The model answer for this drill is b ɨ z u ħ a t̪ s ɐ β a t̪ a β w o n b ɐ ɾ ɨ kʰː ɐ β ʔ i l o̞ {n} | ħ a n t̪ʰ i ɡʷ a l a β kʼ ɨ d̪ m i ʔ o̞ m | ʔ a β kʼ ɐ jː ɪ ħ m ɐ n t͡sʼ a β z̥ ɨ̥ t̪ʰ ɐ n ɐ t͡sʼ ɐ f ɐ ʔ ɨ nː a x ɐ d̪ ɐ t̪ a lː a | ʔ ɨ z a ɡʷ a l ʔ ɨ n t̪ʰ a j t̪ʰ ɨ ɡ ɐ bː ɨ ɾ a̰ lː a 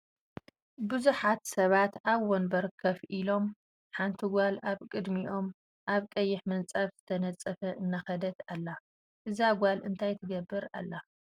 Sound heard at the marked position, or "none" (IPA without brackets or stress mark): m